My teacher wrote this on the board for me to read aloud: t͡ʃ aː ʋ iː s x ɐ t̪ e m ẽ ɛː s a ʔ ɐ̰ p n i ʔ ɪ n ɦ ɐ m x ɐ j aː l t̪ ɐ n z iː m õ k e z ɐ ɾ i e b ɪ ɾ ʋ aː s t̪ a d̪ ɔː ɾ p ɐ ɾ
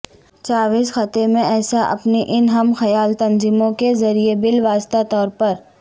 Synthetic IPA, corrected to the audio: t͡ʃ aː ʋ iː s x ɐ t̪ e m ẽ ɛː s a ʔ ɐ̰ p n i ʔ ɪ n ɦ ɐ m x ɐ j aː l t̪ ɐ n z iː m õ k e z ɐ ɾ i e b ɪ l ʋ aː s t̪ a t̪ ɔː ɾ p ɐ ɾ